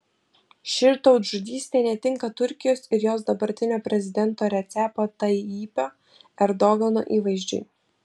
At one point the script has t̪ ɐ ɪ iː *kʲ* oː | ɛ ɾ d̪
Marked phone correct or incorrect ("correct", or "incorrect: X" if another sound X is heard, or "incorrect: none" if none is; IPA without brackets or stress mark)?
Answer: incorrect: pʲ